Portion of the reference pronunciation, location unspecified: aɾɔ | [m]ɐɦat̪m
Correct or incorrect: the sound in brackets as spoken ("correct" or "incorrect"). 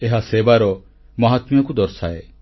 correct